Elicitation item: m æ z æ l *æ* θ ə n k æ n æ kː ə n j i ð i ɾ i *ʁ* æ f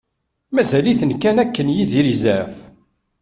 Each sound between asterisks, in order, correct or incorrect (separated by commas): incorrect, incorrect